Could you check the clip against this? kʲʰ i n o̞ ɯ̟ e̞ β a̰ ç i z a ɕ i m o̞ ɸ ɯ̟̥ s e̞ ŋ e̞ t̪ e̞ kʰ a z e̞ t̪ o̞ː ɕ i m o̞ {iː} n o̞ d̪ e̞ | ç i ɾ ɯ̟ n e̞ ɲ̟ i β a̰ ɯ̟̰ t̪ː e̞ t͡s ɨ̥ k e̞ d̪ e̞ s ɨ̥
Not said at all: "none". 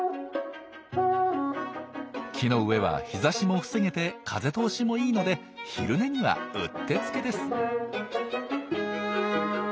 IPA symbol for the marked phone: iː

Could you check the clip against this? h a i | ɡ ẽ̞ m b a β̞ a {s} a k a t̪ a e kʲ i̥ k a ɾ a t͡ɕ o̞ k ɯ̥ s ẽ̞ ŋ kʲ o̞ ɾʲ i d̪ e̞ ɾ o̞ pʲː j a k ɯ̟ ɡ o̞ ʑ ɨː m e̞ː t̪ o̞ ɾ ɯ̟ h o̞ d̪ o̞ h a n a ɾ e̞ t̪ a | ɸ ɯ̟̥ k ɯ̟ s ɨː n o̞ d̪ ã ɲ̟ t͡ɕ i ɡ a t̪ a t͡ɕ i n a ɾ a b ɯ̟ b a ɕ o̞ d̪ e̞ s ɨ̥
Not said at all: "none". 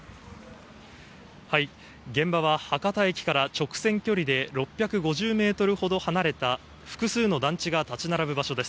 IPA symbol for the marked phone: h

